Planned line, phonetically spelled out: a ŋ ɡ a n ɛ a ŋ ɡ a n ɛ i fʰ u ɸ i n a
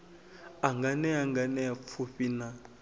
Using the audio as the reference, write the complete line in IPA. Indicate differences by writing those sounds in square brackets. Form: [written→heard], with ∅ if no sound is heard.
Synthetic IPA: a ŋ ɡ a n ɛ a ŋ ɡ a n ɛ [i→a] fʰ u ɸ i n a